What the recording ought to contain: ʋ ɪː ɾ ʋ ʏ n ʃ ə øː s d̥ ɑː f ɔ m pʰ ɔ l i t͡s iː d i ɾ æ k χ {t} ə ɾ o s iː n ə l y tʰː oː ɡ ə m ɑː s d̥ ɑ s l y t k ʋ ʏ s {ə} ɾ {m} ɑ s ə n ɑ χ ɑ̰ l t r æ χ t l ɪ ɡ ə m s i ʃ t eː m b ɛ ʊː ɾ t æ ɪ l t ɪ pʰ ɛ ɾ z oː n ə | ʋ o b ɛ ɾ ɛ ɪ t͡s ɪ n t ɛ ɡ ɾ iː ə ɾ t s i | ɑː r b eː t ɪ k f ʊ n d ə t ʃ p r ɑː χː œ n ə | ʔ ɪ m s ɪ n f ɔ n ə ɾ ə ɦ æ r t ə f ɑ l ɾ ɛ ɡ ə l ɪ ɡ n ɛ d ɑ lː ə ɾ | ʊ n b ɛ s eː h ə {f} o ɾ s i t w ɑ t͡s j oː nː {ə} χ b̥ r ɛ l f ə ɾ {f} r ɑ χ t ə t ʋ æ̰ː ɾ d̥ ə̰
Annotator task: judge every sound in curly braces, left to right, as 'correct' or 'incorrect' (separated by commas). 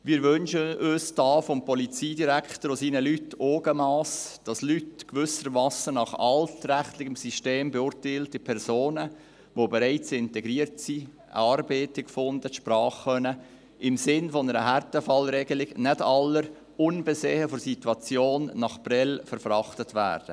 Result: correct, correct, correct, correct, incorrect, correct